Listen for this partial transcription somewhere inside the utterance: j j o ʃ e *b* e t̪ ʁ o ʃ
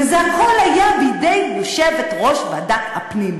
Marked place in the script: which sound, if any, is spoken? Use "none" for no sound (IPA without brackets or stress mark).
v